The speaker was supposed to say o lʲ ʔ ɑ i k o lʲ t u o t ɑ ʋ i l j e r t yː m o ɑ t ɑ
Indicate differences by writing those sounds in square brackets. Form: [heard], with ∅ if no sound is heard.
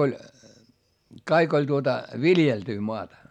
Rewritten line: o lʲ [k] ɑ i k o lʲ t u o t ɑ ʋ i l j e [l] t yː m o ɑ t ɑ